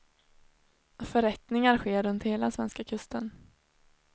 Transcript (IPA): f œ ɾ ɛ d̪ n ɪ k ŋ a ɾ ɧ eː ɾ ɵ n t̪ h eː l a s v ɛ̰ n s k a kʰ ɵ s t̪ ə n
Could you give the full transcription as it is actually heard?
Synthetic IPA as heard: f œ ɾ ɛ t̪ n ɪ ŋ a ɾ ɧ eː ɾ ɵ n t̪ h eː l a s v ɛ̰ n s k a kʰ ɵ s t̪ ə n